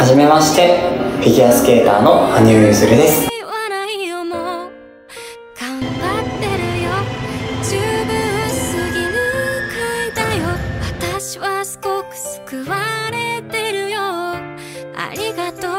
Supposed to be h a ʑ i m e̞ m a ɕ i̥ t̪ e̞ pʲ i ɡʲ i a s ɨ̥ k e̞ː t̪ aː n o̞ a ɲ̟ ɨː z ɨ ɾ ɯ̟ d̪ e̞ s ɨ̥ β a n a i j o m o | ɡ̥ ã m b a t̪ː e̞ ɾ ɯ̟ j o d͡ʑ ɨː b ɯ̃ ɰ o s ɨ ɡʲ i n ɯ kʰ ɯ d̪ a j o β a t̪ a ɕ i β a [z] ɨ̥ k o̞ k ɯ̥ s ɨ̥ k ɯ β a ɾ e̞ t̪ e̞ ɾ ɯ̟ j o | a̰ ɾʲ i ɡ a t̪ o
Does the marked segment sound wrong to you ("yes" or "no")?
yes